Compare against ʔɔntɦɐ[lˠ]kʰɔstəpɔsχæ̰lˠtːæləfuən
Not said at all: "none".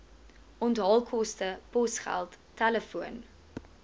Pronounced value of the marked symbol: lˠ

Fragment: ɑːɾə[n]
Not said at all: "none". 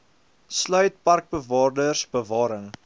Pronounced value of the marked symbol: ŋ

